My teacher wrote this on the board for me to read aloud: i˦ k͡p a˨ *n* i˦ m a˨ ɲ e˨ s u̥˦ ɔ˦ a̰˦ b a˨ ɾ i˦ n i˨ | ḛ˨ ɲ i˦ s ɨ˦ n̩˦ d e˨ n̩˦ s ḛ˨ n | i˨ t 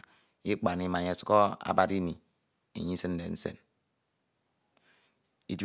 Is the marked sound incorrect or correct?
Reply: correct